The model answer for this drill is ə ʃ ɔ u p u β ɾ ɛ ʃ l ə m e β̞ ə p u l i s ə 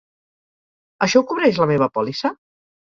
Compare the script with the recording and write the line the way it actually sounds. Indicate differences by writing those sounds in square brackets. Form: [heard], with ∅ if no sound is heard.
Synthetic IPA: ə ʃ ɔ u [k] u β ɾ ɛ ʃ l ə m e β̞ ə p [ɔ] l i s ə